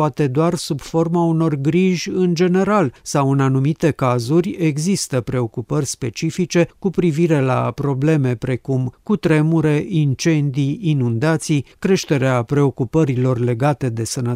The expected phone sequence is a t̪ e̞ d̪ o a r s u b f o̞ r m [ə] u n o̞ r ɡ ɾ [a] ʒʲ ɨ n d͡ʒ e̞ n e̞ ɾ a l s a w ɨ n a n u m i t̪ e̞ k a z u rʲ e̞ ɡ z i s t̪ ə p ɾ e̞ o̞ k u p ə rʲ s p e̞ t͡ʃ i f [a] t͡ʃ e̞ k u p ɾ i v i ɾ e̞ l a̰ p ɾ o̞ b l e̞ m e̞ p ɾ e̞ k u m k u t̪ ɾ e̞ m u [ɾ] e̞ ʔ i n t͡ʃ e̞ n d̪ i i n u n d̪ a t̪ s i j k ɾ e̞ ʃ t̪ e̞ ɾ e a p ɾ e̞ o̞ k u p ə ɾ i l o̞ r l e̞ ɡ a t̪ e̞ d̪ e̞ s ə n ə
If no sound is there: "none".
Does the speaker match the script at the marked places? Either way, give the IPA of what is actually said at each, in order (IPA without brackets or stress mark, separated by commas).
a, i, i, ɾ